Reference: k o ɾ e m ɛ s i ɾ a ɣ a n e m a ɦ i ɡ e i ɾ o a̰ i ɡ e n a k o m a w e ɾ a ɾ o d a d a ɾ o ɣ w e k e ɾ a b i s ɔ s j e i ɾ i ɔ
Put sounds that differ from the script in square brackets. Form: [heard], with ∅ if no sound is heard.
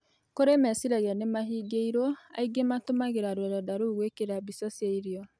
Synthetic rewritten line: k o ɾ e m ɛ s i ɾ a ɣ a n e m a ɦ i ɡ e i ɾ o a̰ i ɡ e [m] a [t] o m a [ɣ] e ɾ a ɾ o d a d a ɾ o ɣ w e k e ɾ a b i s ɔ s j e i ɾ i ɔ